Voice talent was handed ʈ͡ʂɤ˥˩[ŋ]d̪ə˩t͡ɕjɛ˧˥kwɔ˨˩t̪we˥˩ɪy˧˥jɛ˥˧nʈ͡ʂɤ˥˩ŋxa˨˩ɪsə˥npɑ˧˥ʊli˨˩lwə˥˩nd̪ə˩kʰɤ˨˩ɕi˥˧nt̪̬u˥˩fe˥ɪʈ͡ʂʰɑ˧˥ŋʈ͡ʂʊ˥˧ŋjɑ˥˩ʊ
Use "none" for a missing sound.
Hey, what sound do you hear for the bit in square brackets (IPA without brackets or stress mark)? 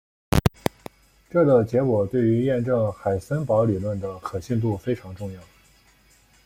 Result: none